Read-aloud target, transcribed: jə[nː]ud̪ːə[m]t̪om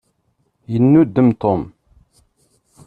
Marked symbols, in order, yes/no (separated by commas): yes, yes